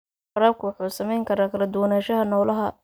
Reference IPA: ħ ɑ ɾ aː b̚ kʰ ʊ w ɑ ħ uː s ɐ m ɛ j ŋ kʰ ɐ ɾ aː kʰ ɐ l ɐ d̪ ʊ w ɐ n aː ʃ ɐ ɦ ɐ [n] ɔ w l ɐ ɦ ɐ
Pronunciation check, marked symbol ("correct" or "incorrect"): correct